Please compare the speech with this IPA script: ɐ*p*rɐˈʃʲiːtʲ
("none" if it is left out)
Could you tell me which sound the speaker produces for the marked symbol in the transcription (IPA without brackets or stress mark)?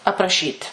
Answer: p